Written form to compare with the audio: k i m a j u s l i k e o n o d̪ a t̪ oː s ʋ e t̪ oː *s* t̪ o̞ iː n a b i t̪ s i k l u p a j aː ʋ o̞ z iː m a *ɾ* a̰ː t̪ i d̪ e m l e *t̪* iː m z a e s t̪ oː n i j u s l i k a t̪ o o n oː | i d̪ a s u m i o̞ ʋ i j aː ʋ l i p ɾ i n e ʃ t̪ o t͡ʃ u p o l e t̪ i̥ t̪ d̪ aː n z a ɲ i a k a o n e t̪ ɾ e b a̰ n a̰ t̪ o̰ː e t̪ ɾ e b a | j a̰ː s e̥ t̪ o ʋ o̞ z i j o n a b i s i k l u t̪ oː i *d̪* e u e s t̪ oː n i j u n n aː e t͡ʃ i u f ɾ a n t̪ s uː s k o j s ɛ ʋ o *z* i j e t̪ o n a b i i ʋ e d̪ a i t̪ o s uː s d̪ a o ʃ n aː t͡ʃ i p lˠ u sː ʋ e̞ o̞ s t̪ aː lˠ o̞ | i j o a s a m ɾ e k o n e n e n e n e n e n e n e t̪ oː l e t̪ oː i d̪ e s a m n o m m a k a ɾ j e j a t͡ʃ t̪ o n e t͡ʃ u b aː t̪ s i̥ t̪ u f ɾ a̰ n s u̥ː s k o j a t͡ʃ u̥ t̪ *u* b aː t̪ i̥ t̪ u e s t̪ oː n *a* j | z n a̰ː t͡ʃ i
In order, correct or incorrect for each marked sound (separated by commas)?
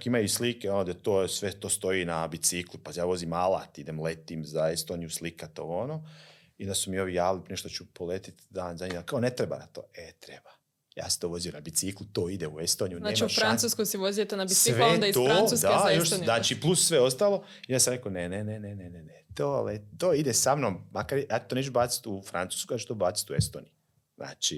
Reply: correct, incorrect, correct, correct, correct, incorrect, incorrect